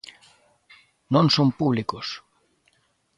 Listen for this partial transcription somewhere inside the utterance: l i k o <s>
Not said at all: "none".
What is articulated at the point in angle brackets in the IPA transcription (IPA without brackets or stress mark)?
s